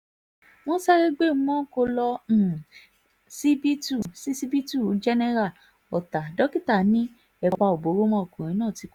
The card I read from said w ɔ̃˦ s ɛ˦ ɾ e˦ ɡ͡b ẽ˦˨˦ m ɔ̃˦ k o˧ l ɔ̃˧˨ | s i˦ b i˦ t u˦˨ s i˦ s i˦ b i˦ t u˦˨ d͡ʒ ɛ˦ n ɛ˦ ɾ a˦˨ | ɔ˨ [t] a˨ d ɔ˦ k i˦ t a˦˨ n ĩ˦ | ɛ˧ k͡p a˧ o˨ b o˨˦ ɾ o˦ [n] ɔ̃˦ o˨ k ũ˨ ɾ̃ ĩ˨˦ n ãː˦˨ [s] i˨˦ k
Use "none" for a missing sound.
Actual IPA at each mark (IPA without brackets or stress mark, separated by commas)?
t, m, t